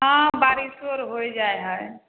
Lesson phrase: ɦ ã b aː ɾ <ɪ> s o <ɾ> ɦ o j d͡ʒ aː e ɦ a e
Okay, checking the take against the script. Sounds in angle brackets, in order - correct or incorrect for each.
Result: incorrect, correct

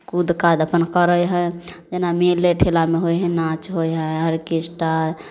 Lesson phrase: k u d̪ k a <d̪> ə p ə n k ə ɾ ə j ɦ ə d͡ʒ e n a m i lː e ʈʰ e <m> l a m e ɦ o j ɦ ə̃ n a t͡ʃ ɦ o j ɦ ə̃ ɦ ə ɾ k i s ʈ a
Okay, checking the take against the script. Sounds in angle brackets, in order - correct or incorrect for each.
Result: correct, incorrect

